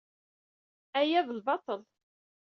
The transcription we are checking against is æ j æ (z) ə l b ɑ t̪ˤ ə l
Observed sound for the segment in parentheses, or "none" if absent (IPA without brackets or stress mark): ð